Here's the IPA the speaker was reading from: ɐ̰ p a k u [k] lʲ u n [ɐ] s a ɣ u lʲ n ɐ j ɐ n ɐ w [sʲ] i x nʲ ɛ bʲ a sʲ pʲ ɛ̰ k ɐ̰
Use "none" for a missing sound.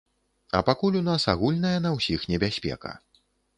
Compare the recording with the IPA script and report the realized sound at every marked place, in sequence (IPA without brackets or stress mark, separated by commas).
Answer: none, a, sʲ